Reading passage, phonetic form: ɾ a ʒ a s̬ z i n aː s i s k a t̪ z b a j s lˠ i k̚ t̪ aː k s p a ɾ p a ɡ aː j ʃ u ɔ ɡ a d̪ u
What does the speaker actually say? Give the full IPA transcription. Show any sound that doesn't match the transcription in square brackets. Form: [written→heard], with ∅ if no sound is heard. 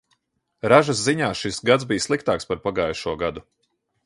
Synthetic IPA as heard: ɾ a ʒ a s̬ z i [n→ɲ] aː [s→ʃ] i s [k→ɡ] a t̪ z b [a→i] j s lˠ i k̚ t̪ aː k s p a ɾ p a ɡ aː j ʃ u ɔ ɡ a d̪ u